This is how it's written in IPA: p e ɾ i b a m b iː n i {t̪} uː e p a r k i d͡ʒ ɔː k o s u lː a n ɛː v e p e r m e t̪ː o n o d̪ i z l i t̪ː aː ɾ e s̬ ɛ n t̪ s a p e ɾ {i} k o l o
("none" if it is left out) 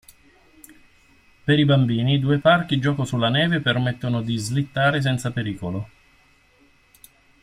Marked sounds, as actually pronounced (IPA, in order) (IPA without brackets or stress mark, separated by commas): d̪, iː